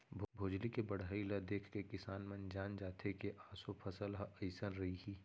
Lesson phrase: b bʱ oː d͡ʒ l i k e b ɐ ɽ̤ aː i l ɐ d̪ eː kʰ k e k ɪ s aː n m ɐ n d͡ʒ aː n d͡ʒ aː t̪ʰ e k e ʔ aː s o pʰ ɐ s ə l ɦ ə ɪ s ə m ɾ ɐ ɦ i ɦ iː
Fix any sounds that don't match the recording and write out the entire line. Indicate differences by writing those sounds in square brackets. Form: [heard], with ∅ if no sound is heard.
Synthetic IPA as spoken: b bʱ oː d͡ʒ l i k e b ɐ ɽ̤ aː i l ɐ d̪ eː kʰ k e k ɪ s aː n m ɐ n d͡ʒ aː n d͡ʒ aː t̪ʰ e k e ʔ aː s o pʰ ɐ s ə l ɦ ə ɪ s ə [n] ɾ ɐ ɦ i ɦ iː